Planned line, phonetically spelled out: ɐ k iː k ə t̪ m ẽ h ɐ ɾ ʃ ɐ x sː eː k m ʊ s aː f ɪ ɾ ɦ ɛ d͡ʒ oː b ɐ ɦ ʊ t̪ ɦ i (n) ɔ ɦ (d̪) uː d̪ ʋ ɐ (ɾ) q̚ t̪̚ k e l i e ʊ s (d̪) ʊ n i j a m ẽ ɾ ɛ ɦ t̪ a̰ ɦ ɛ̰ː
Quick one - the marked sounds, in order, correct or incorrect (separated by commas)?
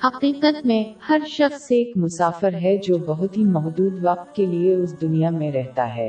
incorrect, correct, incorrect, correct